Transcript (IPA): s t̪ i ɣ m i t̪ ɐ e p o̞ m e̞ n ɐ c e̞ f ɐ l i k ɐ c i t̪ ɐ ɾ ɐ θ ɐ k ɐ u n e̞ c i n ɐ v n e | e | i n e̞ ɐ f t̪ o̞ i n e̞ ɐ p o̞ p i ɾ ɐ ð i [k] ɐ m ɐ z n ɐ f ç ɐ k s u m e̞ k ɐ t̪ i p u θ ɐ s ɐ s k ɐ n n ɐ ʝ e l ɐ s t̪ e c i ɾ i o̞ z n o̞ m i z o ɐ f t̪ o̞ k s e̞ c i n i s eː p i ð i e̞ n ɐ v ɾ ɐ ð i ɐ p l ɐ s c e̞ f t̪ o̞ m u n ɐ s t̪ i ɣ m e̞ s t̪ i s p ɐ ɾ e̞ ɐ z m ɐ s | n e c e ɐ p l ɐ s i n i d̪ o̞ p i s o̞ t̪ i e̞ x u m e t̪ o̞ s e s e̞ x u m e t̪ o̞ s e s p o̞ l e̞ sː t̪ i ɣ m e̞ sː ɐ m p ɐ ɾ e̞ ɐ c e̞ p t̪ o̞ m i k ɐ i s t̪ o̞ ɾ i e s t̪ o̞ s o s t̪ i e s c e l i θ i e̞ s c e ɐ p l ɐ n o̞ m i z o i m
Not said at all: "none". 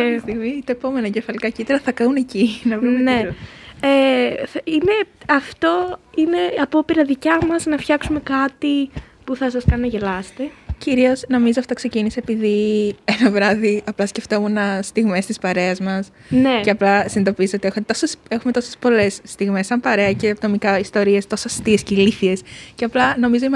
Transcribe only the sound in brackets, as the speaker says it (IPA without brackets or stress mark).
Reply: c